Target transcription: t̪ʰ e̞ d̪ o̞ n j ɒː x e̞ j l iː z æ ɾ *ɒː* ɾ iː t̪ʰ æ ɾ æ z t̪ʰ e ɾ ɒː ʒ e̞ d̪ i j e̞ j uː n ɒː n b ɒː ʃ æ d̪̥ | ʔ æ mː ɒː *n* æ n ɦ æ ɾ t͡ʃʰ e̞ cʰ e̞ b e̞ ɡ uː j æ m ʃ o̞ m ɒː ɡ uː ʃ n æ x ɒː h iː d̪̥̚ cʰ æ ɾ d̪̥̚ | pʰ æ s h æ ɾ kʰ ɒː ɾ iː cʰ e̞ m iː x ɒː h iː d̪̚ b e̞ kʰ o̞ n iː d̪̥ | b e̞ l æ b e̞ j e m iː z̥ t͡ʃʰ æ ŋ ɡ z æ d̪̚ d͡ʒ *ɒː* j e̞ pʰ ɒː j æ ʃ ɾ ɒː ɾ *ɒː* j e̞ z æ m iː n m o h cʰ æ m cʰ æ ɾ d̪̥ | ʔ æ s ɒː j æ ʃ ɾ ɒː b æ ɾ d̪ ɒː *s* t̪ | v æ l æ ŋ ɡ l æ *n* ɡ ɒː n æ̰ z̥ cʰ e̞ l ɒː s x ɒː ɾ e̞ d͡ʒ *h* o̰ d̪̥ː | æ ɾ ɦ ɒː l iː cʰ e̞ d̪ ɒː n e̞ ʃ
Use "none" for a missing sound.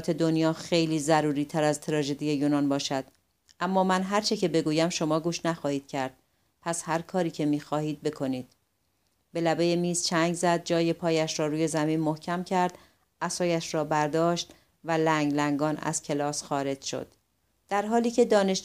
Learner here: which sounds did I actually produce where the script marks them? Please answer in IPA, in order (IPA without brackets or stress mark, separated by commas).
uː, m, ɒː, uː, ʃ, ŋ, ʃ